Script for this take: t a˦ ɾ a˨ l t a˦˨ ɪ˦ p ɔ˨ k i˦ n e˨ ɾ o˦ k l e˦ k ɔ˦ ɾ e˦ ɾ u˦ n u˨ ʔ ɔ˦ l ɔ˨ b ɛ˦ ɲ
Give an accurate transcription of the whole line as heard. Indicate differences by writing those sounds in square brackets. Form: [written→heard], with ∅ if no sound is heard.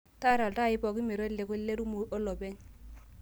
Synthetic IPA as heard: t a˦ ɾ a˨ l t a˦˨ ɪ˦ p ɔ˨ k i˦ [n→m] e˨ ɾ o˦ [k→∅] l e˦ k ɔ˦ [ɾ→l] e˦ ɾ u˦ [n→m] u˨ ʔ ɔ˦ l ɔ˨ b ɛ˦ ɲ